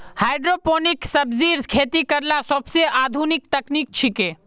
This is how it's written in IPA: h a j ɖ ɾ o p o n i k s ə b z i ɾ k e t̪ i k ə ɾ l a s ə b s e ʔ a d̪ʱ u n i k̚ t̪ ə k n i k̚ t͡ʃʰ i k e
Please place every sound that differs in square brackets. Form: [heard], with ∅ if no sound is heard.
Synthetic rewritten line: h a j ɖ ɾ o p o n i k s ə b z i ɾ [kʰ] e t̪ i k ə ɾ l a s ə b s e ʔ a d̪ʱ u n i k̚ t̪ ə k n i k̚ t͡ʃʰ i k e